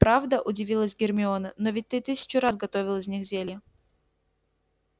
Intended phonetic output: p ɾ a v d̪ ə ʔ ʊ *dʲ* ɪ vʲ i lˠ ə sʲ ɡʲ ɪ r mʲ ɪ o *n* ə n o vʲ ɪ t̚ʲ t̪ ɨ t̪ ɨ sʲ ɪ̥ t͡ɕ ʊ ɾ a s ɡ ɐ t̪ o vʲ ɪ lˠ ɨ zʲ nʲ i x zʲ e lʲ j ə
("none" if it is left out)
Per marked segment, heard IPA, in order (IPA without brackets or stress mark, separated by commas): dʲ, n